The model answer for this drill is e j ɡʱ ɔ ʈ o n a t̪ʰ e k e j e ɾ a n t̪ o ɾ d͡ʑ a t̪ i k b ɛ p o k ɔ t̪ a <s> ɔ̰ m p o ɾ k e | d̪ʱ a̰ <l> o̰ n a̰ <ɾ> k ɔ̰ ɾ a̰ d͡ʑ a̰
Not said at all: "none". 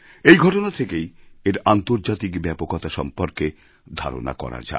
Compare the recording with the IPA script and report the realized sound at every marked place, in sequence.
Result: ʃ, ɾ, none

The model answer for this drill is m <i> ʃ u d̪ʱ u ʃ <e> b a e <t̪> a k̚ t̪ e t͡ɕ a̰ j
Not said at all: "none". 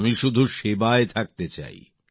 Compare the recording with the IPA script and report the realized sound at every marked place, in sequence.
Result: i, e, t̪ʰ

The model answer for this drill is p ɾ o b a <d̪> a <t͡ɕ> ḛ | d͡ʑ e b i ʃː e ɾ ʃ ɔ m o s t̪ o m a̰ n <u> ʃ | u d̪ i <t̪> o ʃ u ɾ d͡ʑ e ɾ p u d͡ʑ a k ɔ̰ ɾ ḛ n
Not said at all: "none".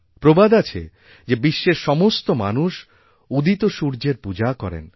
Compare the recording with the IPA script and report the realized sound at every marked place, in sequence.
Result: d̪, t͡ɕʰ, u, t̪

